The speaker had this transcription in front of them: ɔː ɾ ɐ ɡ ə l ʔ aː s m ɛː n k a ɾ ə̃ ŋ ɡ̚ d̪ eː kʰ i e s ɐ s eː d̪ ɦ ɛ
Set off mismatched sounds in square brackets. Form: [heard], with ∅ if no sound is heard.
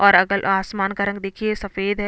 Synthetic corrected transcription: ɔː ɾ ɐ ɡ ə l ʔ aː s m [aː] n k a ɾ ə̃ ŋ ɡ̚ d̪ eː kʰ i e s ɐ [f] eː d̪ ɦ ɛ